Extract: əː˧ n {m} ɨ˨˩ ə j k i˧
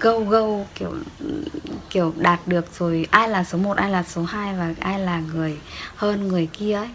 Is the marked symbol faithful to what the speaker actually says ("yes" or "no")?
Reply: no